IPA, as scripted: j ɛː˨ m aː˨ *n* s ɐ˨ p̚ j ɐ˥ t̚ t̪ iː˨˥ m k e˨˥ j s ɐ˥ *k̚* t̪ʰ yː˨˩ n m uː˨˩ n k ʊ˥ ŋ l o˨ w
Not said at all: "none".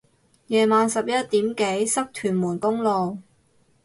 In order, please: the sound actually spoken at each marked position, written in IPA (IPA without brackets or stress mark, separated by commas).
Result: n, k̚